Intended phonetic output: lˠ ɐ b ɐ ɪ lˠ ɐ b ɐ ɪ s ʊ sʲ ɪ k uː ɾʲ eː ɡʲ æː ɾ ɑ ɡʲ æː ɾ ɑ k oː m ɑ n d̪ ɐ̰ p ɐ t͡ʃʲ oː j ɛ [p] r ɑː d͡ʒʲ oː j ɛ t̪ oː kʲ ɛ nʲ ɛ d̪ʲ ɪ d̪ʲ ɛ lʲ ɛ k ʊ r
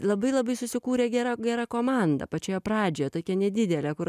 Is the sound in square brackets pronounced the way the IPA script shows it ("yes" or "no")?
yes